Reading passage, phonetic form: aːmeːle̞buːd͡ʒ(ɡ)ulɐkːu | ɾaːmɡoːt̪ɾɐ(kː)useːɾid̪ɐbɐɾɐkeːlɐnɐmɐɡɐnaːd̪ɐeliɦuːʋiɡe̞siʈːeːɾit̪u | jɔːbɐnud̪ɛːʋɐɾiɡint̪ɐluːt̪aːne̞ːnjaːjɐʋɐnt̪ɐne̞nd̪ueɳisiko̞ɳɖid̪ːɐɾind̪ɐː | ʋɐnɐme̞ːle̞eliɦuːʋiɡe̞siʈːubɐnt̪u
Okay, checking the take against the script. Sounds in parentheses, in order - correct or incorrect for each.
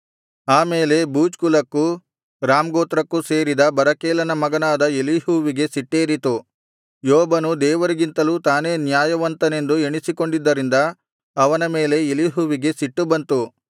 incorrect: k, correct

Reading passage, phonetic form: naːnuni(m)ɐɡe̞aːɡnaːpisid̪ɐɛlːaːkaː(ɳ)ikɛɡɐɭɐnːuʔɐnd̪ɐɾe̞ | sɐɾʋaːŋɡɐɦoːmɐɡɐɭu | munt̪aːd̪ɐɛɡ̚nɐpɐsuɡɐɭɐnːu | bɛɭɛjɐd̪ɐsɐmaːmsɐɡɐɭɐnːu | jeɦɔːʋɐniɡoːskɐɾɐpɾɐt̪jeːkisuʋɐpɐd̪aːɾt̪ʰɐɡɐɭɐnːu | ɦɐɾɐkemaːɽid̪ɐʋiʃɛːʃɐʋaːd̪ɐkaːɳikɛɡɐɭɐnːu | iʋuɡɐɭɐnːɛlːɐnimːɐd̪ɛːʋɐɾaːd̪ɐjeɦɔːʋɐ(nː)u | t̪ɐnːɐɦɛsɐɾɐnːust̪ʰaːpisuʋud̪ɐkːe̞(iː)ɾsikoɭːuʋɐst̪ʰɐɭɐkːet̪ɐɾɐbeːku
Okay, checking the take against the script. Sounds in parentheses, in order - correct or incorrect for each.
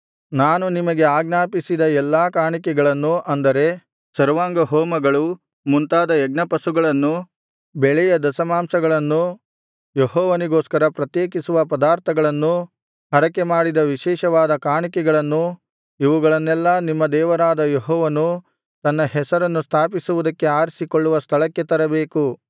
correct, correct, incorrect: n, incorrect: aː

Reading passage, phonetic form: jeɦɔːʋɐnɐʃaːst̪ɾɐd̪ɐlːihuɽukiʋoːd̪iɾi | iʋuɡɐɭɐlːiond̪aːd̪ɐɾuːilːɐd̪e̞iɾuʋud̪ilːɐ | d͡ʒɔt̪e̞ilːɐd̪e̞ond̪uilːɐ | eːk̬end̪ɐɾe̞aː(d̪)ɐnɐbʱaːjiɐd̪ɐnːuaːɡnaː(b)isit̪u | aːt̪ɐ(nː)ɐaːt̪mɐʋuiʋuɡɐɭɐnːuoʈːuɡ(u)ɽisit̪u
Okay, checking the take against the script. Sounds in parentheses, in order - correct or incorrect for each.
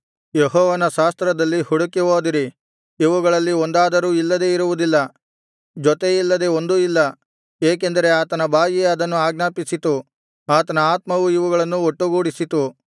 incorrect: t̪, incorrect: p, incorrect: n, incorrect: uː

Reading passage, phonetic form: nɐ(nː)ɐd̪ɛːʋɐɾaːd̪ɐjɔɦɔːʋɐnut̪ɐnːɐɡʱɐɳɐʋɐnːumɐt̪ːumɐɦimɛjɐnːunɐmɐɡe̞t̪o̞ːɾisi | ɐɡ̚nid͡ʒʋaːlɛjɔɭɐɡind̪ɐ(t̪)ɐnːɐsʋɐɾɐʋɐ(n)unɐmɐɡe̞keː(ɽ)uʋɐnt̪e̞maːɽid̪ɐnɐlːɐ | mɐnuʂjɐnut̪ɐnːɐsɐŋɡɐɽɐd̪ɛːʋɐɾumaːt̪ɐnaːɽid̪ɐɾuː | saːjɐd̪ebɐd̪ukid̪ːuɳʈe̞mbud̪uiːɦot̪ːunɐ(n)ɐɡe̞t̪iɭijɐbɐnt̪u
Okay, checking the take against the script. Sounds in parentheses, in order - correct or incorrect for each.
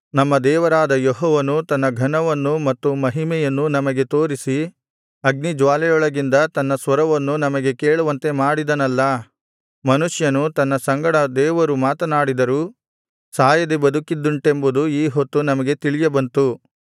incorrect: mː, correct, incorrect: nː, incorrect: ɭ, incorrect: m

